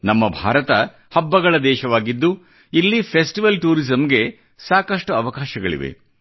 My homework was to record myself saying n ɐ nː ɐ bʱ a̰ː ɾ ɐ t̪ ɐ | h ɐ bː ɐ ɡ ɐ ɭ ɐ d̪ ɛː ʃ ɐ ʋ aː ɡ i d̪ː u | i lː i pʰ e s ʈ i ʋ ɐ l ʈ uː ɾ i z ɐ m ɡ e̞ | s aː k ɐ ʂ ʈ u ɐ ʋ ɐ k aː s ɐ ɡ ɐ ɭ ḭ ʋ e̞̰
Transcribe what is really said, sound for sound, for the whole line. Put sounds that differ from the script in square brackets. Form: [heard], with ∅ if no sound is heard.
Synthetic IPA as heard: n ɐ [mː] ɐ bʱ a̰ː ɾ ɐ t̪ ɐ | h ɐ bː ɐ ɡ ɐ ɭ ɐ d̪ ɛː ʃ ɐ ʋ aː ɡ i d̪ː u | i lː i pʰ e s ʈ i ʋ ɐ l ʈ uː ɾ i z ɐ m ɡ e̞ | s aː k ɐ ʂ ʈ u ɐ ʋ ɐ k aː [ʃ] ɐ ɡ ɐ ɭ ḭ ʋ e̞̰